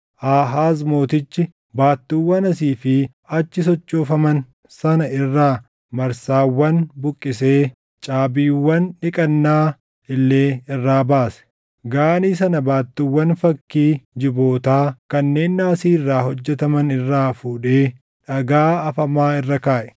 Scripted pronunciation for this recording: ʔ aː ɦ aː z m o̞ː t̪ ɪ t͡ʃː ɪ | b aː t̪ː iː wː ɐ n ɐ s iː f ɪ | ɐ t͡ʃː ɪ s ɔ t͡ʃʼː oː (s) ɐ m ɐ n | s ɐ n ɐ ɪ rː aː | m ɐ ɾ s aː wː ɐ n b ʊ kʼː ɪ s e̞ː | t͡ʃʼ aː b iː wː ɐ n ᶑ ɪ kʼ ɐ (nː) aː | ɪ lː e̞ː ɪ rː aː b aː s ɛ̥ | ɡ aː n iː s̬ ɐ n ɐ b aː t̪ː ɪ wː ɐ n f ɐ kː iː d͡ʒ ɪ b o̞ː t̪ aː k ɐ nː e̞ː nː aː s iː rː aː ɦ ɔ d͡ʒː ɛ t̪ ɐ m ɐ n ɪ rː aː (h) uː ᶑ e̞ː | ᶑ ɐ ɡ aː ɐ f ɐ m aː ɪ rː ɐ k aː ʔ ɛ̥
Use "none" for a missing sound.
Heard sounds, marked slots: f, nː, f

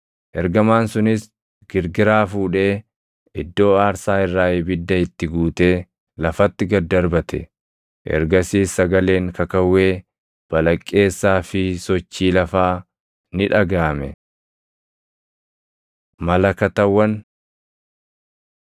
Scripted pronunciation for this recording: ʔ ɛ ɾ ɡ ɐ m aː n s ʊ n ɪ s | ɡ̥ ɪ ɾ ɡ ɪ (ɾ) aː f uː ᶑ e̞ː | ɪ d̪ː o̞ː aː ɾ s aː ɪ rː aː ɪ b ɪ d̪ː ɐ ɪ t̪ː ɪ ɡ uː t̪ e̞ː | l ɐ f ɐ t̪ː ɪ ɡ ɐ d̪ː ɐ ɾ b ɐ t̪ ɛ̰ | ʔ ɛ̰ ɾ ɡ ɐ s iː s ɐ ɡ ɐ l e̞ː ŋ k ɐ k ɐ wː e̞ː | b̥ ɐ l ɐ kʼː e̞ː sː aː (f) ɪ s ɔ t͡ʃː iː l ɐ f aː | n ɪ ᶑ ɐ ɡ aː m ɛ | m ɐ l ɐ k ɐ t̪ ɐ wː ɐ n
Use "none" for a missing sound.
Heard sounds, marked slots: ɾ, f

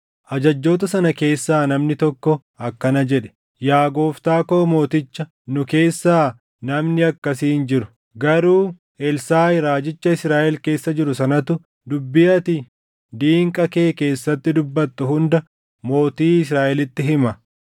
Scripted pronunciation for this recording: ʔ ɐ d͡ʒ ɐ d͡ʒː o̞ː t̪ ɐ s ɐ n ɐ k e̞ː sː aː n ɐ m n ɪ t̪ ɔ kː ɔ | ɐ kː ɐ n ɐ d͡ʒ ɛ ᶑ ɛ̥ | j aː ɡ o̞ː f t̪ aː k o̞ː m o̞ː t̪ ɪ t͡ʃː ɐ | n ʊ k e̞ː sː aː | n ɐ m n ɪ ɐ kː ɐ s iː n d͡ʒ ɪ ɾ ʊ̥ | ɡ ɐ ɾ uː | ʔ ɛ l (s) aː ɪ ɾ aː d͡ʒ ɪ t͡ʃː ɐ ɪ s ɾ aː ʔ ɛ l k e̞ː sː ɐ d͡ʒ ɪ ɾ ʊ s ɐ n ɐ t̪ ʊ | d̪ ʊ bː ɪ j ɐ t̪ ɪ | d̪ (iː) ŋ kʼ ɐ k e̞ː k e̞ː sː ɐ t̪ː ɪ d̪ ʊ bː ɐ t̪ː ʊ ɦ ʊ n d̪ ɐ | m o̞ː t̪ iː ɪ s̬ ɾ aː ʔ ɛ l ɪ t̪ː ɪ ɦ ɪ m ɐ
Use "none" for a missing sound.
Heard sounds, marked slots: s, iː

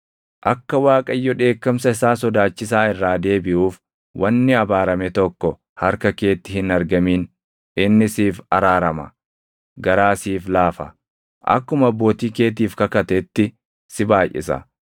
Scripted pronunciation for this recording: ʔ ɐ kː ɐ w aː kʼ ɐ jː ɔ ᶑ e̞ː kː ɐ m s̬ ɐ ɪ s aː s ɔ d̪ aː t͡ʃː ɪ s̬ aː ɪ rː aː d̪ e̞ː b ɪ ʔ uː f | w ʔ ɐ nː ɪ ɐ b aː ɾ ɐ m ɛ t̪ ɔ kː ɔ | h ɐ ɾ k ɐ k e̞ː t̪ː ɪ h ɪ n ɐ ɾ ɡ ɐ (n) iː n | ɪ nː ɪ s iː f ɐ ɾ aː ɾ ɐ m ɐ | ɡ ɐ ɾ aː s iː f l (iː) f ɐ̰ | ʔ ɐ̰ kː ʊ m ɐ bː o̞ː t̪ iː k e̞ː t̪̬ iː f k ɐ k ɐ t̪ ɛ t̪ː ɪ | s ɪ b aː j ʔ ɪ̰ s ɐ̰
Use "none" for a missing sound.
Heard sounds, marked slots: m, aː

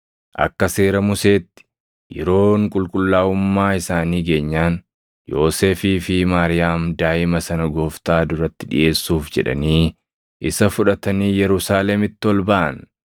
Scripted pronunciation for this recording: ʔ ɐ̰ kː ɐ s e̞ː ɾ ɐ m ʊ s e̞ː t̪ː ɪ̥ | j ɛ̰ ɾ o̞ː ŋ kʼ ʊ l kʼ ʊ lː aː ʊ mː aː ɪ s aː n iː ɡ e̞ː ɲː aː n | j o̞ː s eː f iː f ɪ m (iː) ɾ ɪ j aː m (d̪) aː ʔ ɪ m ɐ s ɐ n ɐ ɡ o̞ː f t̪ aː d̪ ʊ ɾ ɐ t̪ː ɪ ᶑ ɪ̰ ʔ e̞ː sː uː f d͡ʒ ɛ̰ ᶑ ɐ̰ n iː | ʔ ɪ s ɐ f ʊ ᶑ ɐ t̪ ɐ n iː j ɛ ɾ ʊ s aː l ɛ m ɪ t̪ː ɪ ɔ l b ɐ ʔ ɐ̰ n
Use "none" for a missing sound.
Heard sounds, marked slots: aː, d̪

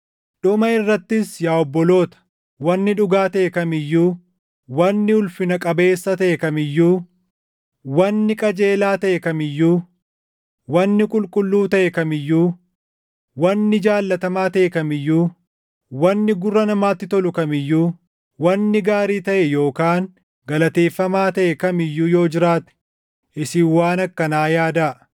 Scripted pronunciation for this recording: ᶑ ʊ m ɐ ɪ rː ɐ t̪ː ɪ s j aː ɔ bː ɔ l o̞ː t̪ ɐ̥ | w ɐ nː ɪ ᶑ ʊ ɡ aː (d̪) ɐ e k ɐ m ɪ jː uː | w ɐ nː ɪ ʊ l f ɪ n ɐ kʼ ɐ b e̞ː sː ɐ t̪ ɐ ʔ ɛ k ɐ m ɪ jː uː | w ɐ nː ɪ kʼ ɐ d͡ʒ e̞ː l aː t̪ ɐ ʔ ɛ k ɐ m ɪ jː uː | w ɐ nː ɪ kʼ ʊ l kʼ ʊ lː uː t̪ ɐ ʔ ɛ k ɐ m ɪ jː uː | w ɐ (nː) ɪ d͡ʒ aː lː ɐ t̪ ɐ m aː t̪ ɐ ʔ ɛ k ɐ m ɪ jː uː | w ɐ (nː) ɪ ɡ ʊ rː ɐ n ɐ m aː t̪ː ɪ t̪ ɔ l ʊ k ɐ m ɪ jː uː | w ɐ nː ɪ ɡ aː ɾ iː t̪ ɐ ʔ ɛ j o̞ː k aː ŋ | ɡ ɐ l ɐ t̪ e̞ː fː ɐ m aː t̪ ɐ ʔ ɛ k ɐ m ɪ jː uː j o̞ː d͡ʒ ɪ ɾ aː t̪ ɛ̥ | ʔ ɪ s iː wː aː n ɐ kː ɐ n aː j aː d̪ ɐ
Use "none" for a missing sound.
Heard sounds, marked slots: t̪, nː, nː

